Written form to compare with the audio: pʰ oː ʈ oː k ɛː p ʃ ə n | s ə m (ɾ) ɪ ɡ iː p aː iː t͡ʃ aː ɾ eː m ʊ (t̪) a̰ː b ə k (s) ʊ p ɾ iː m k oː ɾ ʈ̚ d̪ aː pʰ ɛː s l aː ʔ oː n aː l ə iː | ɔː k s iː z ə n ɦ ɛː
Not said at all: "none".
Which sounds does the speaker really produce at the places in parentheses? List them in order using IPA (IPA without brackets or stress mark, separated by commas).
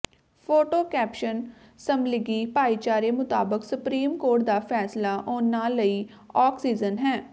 l, t̪, s